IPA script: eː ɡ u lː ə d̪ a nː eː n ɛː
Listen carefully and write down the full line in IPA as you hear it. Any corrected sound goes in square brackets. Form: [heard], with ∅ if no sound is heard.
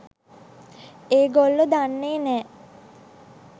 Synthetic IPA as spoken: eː ɡ [o] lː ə d̪ a nː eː n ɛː

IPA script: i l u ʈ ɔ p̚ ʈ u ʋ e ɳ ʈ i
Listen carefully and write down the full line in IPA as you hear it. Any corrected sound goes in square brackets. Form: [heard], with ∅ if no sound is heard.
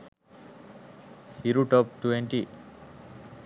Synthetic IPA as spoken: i [ɾ] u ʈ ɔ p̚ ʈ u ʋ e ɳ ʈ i

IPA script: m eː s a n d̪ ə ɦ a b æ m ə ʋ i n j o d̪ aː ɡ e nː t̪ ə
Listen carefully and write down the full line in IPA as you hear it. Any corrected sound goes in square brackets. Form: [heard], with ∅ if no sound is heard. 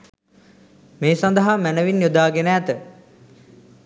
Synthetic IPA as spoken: m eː s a n d̪ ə ɦ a [m] æ [n] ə ʋ i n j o d̪ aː ɡ e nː t̪ ə

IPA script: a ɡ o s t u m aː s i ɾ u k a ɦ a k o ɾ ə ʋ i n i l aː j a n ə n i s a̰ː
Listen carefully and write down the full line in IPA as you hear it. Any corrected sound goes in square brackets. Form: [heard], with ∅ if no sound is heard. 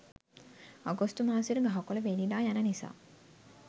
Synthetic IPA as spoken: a ɡ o s t u m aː s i ɾ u [ɡ] a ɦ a k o [l] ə ʋ [e] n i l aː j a n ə n i s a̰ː

